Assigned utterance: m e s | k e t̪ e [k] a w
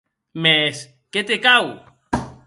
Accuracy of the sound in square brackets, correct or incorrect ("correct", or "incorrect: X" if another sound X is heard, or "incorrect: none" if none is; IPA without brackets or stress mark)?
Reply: correct